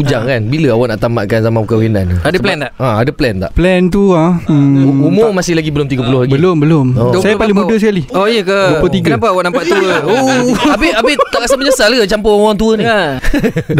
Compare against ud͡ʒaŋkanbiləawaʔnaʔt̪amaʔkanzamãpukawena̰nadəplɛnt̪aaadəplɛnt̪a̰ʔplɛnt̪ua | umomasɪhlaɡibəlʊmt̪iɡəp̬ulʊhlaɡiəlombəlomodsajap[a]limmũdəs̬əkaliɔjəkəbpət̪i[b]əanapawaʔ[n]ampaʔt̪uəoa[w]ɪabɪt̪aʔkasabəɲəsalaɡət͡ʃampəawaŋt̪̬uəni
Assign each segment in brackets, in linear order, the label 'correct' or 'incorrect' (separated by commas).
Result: correct, incorrect, correct, incorrect